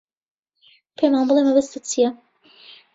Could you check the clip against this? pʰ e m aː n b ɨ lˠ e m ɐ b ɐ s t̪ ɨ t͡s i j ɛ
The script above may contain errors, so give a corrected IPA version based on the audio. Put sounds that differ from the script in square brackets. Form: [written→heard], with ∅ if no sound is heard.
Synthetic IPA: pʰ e m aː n b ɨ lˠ e m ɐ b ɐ s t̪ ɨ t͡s i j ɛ